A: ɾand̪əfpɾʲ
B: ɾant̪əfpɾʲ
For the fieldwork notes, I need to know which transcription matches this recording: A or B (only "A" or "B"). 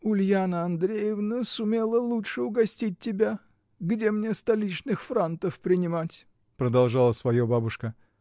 B